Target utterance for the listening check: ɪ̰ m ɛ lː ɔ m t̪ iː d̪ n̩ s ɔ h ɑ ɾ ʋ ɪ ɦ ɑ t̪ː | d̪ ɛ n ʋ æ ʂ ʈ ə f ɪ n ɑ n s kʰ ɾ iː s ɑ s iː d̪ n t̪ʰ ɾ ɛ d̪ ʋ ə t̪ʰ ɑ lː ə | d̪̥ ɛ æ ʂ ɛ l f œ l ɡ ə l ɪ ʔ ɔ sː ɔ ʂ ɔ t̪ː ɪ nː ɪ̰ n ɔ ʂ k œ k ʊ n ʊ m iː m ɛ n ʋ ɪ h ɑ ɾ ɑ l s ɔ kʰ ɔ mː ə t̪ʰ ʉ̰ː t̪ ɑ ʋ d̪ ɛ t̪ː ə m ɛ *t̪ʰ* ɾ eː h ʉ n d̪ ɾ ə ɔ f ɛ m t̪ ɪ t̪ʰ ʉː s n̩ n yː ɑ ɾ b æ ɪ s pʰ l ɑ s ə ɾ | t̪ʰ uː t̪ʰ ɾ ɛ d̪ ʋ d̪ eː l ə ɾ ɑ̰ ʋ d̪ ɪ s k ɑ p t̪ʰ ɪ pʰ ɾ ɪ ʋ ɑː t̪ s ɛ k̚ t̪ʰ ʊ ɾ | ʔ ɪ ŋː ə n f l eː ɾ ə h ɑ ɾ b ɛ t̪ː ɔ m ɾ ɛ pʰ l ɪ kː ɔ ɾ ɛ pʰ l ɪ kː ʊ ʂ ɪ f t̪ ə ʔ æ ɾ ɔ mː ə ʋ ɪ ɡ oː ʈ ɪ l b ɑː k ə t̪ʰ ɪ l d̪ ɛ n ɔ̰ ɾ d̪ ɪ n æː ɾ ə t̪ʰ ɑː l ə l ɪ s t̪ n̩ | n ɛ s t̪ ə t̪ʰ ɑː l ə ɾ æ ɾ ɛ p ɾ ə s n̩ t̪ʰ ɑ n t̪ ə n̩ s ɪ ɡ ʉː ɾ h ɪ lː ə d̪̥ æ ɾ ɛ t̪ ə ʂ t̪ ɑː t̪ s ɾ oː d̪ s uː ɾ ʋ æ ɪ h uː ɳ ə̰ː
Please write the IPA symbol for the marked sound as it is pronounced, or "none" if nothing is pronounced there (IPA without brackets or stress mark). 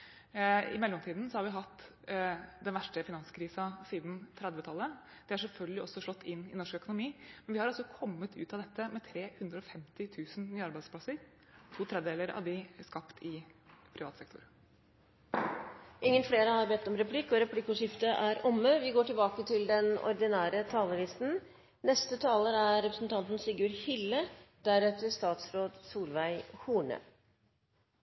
t̪ʰ